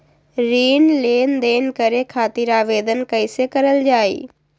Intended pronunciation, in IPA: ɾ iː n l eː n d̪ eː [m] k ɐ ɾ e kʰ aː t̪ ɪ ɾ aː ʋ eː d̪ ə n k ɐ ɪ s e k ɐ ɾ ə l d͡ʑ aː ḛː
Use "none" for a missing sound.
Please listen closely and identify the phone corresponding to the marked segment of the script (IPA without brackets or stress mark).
n